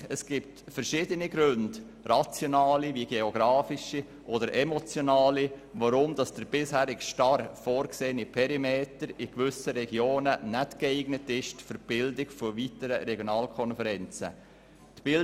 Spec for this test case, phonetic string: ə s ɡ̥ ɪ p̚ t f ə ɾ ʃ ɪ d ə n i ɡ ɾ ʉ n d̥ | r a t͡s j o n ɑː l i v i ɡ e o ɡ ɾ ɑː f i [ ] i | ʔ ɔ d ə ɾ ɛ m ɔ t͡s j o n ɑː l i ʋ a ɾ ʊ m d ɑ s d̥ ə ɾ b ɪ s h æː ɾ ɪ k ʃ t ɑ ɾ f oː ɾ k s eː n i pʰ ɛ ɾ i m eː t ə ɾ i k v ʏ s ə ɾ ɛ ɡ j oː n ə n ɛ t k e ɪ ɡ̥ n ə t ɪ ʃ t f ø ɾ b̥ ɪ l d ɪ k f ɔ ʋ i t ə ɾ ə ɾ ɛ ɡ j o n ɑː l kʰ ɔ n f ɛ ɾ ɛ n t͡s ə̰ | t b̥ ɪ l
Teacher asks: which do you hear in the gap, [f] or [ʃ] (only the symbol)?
ʃ